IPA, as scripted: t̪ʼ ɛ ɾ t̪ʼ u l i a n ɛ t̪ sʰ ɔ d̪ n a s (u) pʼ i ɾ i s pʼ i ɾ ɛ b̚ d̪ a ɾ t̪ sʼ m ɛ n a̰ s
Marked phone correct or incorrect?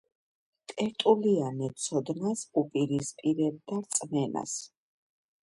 correct